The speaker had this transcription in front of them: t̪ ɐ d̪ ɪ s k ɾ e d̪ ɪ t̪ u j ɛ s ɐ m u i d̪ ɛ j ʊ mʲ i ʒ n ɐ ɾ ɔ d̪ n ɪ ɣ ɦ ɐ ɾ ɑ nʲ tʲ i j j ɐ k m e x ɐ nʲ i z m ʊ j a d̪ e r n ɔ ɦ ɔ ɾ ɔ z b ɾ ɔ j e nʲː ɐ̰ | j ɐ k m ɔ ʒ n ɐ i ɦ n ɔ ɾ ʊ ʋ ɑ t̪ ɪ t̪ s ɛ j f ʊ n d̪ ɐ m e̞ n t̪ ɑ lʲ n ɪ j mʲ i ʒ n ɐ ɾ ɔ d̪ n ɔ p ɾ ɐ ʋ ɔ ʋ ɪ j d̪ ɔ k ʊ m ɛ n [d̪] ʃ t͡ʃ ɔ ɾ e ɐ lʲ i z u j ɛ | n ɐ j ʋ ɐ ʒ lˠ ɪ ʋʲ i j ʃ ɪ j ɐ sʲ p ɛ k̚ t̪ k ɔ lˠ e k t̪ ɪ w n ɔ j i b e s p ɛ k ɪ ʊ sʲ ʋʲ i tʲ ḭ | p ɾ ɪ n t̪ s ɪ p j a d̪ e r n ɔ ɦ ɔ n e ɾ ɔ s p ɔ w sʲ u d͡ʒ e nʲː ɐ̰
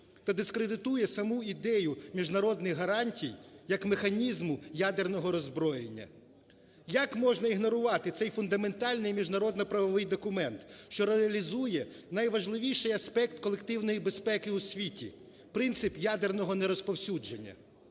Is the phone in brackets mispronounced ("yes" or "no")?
yes